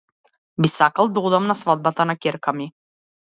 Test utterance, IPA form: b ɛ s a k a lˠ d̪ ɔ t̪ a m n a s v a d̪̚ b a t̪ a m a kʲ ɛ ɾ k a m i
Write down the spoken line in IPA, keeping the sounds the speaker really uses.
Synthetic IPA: b i s a k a lˠ d̪ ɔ d̪ a m n a s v a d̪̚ b a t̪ a n a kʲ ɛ ɾ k a m i